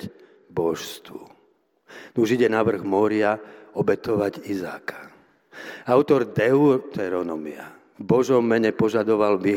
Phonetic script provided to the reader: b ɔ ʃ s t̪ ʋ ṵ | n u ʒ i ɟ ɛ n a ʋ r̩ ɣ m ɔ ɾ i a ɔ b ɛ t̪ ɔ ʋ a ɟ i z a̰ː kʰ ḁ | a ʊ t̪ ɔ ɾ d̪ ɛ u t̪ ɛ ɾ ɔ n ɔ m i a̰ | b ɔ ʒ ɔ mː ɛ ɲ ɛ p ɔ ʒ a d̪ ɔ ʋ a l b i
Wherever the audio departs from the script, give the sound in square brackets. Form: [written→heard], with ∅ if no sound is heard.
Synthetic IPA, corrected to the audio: b ɔ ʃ s t̪ ʋ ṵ | n u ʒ i ɟ ɛ n a ʋ r̩ ɣ m ɔ ɾ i a ɔ b ɛ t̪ ɔ ʋ a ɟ i z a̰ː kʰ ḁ | a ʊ t̪ ɔ ɾ d̪ ɛ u t̪ ɛ ɾ ɔ n ɔ m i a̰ | b ɔ ʒ ɔ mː ɛ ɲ ɛ p ɔ ʒ a d̪ ɔ ʋ a l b i